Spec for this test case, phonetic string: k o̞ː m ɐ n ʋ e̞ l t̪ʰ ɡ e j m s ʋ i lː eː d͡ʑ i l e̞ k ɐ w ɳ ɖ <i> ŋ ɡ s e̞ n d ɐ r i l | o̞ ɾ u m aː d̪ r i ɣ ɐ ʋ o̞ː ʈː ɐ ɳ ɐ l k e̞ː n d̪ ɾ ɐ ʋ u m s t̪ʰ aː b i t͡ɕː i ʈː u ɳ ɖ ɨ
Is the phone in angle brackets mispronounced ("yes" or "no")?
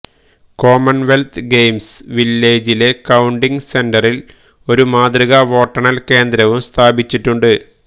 no